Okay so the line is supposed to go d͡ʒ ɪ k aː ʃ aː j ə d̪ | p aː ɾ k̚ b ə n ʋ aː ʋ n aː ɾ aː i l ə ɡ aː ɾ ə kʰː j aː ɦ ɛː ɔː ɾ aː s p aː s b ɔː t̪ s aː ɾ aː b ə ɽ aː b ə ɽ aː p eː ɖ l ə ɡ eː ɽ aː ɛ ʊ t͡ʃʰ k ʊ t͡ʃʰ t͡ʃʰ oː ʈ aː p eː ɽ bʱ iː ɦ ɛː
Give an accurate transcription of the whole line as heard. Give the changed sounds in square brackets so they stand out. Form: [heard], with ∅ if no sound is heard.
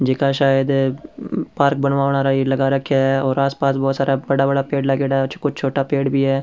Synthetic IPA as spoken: d͡ʒ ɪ k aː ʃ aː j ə d̪ | p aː ɾ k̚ b ə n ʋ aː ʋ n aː ɾ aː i l ə ɡ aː ɾ ə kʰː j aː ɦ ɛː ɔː ɾ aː s p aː s b ɔː t̪ s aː ɾ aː b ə ɽ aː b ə ɽ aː p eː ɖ l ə ɡ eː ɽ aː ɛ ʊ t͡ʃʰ k ʊ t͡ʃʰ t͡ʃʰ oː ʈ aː p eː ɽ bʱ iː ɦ ɛː